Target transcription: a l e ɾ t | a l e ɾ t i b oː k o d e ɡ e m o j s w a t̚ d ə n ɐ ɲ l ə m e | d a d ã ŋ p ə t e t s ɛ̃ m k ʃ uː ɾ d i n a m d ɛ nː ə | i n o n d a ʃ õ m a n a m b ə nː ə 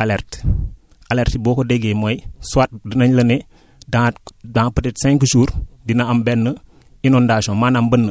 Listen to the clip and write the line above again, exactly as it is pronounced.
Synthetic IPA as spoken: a l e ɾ t | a l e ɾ t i b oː k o d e ɡ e m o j s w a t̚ d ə n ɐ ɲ l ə n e | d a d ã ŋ p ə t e t s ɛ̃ ŋ k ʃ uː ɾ d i n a m b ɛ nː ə | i n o n d a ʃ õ m a n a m b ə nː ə